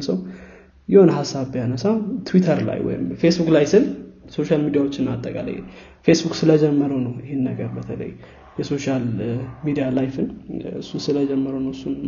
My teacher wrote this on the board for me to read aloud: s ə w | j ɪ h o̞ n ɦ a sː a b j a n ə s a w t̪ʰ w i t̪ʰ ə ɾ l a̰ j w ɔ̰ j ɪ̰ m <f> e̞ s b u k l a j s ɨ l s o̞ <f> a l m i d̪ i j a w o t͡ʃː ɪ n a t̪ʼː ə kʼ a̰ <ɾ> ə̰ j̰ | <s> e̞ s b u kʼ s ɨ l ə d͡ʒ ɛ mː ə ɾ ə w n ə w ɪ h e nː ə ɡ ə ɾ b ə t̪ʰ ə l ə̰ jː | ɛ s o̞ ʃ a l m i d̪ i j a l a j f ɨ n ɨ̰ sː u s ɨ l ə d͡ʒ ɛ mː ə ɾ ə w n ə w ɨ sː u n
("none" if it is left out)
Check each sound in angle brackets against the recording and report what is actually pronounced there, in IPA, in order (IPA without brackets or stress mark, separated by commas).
f, ʃ, l, f